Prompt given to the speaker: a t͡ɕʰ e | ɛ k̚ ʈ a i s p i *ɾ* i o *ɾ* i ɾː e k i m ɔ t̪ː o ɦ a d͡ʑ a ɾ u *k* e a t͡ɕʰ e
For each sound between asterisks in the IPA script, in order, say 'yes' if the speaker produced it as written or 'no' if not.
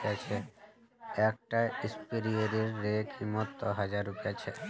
yes, yes, no

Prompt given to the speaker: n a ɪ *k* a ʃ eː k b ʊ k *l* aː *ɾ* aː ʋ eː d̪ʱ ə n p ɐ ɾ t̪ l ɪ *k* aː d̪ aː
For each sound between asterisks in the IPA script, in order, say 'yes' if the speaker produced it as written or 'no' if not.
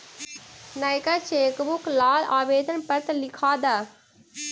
yes, yes, no, no

